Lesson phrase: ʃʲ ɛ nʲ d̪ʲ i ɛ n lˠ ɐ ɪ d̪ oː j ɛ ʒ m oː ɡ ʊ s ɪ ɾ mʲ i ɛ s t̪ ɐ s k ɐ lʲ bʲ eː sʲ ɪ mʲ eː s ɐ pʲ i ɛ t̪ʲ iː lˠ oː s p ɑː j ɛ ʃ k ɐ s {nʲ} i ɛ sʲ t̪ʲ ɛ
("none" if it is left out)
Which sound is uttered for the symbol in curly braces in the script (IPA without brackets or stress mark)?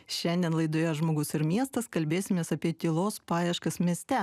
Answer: mʲ